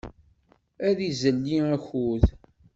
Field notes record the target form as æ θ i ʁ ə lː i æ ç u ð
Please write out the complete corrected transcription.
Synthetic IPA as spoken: æ ð i z ə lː i æ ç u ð

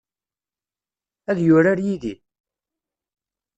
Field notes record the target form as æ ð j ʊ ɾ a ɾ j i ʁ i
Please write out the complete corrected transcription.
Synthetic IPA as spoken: æ ð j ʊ ɾ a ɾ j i ð i

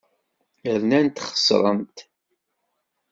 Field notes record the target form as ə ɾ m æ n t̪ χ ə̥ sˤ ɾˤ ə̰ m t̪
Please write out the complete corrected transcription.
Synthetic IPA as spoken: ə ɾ n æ n t̪ χ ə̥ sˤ ɾˤ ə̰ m t̪

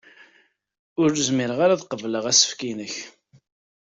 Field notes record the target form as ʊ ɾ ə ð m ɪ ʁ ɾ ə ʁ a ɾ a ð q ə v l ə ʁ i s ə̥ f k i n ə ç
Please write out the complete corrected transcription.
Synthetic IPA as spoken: ʊ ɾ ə z m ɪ ɾ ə ʁ a ɾ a ð q ə v l ə ʁ æ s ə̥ f k i n ə ç

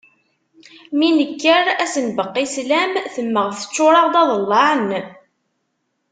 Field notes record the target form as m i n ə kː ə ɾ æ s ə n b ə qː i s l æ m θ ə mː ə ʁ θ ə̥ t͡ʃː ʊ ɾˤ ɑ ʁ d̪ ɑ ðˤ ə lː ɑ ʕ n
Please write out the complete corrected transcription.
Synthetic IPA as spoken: m i n ə kː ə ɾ æ s ə n b ə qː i s l æ m θ ə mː ə ʁ θ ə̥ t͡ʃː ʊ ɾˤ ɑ ʁ d̪ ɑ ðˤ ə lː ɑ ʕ n

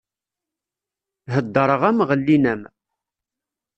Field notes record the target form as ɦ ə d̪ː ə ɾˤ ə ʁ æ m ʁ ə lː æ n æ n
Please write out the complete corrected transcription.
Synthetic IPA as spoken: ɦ ə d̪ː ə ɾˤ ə ʁ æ m ʁ ə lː i n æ m

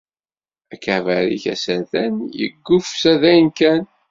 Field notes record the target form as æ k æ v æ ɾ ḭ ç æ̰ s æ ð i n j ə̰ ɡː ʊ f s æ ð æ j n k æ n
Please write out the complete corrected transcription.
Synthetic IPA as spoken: æ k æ v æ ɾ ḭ ç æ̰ s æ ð æ n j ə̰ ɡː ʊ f s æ ð æ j n k æ n

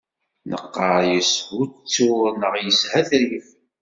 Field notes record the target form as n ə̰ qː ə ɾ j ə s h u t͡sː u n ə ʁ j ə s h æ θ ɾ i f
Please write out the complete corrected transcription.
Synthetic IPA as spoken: n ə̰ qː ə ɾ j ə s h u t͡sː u n ə ʁ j ə s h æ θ ɾ i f

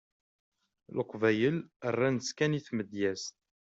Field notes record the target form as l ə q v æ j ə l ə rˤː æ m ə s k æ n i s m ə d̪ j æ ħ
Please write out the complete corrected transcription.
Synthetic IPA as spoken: l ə q v æ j ə l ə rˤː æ n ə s k æ n i θ m ə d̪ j æ s

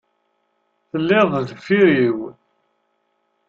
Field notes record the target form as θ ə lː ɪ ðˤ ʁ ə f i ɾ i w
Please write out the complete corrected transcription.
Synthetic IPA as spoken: θ ə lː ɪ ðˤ ð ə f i ɾ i w

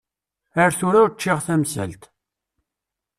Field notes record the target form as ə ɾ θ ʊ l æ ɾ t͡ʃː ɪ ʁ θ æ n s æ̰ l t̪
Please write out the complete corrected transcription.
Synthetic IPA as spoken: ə ɾ θ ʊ ɾ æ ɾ t͡ʃː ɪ ʁ θ æ m s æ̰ l t̪

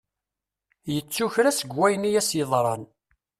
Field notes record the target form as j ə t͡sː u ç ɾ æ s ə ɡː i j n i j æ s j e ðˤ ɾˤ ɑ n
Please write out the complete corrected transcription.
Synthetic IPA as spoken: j ə t͡sː u ç ɾ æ s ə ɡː æ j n i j æ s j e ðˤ ɾˤ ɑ n

